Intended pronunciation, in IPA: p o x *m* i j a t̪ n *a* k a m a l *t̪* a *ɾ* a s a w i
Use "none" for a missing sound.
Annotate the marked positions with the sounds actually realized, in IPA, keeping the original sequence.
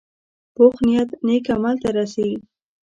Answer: n, e, t̪, ɾ

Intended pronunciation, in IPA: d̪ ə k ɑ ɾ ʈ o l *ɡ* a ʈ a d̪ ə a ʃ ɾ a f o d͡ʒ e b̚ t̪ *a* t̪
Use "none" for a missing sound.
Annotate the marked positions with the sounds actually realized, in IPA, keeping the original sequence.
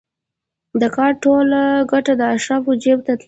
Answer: ɡ, a

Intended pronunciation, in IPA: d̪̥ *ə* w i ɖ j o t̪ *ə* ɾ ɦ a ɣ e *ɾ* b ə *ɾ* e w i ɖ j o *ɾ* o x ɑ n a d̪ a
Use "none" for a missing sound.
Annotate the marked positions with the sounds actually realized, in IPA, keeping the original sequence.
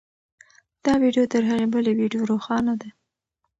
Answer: ɑ, ə, none, l, ɾ

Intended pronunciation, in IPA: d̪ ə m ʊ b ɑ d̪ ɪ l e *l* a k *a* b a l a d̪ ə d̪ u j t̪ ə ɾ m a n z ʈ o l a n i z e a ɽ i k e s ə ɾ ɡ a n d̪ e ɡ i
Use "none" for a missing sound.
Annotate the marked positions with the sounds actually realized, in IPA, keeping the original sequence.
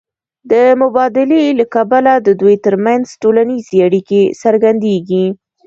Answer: l, a

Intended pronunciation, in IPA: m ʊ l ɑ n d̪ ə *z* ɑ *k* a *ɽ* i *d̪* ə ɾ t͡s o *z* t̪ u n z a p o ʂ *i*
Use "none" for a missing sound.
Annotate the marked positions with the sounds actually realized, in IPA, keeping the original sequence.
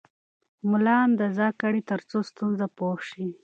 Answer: z, k, ɽ, t̪, s, i

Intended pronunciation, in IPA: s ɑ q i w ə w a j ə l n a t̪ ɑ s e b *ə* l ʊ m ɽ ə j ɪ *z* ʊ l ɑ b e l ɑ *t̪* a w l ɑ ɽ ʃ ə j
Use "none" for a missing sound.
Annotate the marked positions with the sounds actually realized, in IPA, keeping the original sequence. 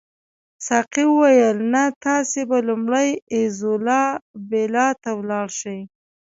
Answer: a, z, t̪

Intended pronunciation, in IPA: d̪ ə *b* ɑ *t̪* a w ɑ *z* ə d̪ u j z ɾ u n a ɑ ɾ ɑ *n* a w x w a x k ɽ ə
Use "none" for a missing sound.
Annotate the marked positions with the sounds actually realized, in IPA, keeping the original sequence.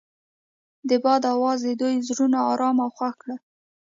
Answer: b, d̪, z, m

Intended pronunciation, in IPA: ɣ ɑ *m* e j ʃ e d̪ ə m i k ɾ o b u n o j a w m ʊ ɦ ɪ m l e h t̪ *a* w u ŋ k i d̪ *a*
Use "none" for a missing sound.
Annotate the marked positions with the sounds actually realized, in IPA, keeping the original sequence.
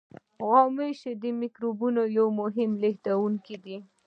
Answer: m, a, i

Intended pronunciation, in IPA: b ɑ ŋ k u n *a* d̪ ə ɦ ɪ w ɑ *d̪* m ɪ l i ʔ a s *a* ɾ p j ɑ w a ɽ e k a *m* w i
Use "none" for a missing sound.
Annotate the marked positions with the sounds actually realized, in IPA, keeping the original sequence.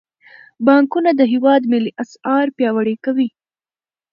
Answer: a, d̪, ɑ, none

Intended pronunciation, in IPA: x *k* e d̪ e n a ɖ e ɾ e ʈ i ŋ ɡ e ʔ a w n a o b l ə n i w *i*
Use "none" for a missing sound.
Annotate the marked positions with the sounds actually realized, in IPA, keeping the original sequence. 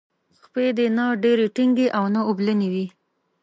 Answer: p, i

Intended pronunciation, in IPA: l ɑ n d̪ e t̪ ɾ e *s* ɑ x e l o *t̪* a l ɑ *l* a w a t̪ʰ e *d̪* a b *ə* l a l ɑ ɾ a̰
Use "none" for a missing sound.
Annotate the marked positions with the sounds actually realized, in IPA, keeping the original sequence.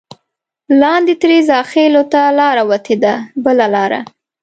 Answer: z, t̪, ɾ, d̪, ə

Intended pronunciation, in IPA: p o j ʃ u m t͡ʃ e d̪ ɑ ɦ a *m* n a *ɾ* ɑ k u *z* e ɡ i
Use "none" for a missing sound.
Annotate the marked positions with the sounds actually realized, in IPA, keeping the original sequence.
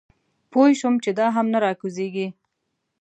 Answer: m, ɾ, z

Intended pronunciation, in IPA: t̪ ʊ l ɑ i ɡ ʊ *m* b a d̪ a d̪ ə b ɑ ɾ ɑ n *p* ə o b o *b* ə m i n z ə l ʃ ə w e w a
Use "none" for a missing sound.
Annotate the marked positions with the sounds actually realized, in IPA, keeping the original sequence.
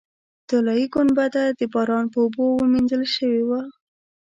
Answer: n, p, w

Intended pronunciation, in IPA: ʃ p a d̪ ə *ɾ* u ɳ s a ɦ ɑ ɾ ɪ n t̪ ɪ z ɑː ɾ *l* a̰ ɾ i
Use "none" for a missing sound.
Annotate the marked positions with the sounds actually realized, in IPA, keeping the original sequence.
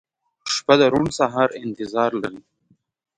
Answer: ɾ, l

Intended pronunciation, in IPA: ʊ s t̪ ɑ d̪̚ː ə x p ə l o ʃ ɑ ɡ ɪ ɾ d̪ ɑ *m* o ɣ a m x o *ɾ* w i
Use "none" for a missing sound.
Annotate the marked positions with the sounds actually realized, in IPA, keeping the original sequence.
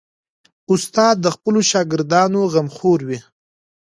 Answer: n, ɾ

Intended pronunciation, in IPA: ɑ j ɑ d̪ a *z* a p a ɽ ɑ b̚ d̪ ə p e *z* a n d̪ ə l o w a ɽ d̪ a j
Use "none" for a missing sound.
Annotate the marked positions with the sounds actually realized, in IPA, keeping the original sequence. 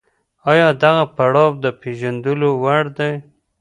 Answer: ɣ, ʒ

